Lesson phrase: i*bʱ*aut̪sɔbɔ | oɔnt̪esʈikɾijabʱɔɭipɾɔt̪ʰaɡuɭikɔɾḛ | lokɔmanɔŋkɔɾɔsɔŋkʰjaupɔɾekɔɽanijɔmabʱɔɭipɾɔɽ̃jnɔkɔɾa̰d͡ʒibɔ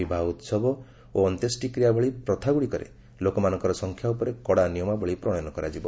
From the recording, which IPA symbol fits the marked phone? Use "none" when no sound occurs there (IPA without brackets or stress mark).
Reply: bʱ